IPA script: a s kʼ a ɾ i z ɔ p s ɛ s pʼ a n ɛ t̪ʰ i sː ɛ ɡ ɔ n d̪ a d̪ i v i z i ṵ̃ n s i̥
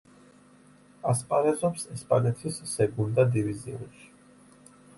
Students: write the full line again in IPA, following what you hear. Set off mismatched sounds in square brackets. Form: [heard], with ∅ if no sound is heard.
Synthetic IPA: a s [pʼ] a ɾ [ɛ] z ɔ p s ɛ s pʼ a n ɛ t̪ʰ i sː ɛ ɡ [u] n d̪ a d̪ i v i z i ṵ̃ n [ʃ] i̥